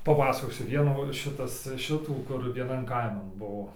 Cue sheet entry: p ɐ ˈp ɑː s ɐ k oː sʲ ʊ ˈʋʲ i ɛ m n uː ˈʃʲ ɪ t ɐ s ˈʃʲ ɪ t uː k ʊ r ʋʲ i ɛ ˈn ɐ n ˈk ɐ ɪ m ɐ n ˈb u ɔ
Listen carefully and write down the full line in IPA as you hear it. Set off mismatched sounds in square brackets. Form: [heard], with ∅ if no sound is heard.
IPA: p ɐ ˈp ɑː s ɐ k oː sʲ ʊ ˈʋʲ i ɛ [∅] n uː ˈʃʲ ɪ t ɐ s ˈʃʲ ɪ t uː k ʊ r ʋʲ i ɛ ˈn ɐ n ˈk ɐ ɪ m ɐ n ˈb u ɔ